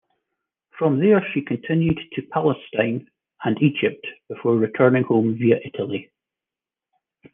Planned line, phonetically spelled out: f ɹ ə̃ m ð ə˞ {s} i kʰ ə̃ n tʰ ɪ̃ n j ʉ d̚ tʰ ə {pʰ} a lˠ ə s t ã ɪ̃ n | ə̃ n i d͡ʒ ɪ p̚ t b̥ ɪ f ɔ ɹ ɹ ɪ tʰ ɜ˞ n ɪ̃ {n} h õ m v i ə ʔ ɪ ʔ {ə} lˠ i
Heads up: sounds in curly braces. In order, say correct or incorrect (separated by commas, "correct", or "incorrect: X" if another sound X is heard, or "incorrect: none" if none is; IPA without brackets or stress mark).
incorrect: ʃ, correct, incorrect: ŋ, correct